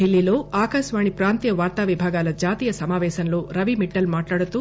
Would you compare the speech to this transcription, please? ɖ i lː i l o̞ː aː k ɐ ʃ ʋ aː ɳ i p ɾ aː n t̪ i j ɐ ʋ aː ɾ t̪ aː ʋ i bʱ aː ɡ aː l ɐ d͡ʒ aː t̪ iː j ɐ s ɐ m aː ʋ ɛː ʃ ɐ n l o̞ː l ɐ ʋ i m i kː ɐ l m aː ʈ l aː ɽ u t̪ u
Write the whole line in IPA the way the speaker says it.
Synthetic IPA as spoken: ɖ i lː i l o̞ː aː k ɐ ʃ ʋ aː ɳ i p ɾ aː n t̪ i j ɐ ʋ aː ɾ t̪ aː ʋ i bʱ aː ɡ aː l ɐ d͡ʒ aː t̪ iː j ɐ s ɐ m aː ʋ ɛː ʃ ɐ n l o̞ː ɾ ɐ ʋ i m i ʈː ɐ l m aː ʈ l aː ɽ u t̪ u